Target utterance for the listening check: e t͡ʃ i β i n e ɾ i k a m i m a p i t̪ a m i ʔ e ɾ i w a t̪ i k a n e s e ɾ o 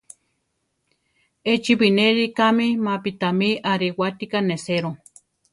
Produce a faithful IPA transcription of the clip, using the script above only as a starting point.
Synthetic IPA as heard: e t͡ʃ i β i n e ɾ i k a m i m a p i t̪ a m i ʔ a ɾ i w a t̪ i k a n e s e ɾ o